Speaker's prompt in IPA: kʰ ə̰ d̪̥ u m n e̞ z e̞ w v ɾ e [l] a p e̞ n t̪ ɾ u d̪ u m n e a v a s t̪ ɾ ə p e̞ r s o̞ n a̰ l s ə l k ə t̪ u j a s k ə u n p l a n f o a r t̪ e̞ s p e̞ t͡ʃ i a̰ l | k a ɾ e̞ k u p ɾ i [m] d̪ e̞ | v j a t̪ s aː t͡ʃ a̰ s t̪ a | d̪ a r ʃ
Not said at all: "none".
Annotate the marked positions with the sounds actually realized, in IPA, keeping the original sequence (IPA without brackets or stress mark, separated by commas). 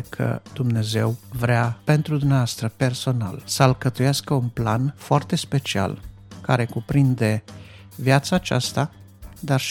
none, n